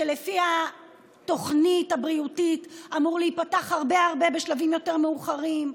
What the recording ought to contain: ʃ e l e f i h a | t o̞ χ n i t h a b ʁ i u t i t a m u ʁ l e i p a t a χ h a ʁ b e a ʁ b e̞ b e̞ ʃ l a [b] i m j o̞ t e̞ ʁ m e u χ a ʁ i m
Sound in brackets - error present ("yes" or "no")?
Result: yes